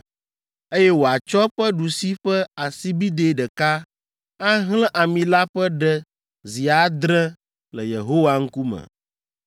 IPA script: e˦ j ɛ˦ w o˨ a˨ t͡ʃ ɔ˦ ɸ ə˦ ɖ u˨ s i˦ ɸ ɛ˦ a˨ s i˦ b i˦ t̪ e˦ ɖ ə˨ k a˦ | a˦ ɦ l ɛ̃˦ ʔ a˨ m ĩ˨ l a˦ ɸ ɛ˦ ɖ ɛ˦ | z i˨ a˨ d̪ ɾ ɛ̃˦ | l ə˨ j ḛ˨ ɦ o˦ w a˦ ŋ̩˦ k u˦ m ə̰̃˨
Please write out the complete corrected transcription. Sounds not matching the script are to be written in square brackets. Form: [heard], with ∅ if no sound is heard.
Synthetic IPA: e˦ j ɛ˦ w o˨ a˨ t͡ʃ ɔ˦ ɸ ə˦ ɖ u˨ s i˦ ɸ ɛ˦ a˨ s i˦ b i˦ [d̪] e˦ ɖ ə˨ k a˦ | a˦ ɦ l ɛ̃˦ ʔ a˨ m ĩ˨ l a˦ ɸ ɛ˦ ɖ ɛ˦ | z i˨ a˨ d̪ ɾ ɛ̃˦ | l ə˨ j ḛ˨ ɦ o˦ w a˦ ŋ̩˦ k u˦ m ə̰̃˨